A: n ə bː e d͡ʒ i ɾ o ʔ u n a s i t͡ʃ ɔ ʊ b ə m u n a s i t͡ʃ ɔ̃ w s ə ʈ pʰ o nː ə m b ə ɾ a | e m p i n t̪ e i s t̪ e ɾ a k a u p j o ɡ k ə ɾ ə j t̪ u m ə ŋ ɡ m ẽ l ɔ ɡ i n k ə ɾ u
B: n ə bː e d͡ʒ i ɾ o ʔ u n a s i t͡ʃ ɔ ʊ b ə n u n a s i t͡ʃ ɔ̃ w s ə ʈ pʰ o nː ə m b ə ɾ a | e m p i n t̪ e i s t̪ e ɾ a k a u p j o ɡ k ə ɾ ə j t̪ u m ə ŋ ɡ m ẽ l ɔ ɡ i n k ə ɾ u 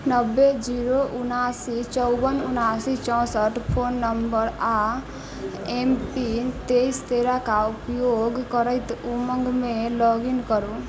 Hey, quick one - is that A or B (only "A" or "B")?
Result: B